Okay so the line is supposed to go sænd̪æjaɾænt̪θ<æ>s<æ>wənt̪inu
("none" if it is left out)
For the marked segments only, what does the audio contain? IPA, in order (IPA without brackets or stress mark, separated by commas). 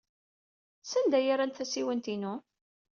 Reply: æ, i